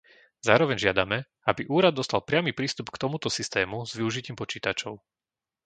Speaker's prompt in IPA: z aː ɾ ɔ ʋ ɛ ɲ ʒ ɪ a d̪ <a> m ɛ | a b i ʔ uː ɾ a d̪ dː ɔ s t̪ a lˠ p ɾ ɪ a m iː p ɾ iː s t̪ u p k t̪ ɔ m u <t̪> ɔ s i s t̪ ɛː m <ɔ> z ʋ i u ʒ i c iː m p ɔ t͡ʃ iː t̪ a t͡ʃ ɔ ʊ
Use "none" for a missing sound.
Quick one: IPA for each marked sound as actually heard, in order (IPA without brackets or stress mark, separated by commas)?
a, t̪, u